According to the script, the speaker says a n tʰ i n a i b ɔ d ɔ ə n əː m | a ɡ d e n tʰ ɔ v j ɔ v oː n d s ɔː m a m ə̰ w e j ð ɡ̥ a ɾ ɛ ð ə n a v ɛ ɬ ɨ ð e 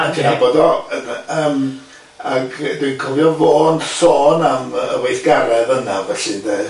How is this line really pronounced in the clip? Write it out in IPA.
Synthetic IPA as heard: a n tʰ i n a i b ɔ d ɔ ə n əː m | a ɡ d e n kʰ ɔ v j ɔ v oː n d s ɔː n a m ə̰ w e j θ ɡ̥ a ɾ ɛ ð ə n a v ɛ ɬ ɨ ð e